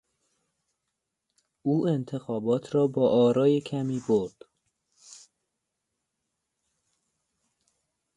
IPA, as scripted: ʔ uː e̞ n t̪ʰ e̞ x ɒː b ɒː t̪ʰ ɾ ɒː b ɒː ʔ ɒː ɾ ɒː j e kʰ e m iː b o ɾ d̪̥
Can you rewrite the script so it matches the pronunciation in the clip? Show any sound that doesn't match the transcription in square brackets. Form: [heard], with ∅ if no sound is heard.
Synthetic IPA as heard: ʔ uː e̞ n t̪ʰ e̞ x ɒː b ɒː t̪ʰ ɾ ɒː b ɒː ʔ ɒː ɾ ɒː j e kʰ [æ] m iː b o ɾ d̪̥